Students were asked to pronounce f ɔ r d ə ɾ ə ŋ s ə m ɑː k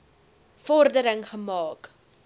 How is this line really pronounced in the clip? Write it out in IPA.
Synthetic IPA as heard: f ɔ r d ə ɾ ə ŋ χ ə m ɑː k